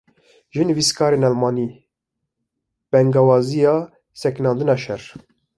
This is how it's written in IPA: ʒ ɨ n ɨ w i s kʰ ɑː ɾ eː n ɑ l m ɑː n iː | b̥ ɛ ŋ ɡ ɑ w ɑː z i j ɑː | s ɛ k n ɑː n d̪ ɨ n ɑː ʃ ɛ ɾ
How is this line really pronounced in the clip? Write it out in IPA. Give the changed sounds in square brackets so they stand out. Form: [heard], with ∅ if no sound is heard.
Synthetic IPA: ʒ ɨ n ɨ [v] i s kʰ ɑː ɾ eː n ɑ l m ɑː n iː | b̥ ɛ ŋ ɡ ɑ w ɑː z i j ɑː | s ɛ k n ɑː n d̪ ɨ n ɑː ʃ ɛ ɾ